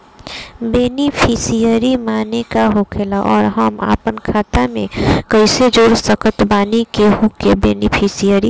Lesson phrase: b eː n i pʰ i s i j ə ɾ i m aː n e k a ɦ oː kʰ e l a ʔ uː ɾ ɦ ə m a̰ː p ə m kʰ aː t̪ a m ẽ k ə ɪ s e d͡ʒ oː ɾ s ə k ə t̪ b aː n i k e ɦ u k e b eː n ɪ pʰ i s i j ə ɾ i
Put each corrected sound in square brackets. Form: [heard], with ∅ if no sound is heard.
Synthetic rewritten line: b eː n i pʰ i s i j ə ɾ i m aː n e k a ɦ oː kʰ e l a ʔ [ɔː] ɾ ɦ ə m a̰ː p ə [n] kʰ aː t̪ a m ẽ k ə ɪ s e d͡ʒ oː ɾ s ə k ə t̪ b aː n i k e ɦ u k e b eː n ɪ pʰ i s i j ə ɾ i